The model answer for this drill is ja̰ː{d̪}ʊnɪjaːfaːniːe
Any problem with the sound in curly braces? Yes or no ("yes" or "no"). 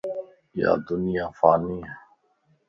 no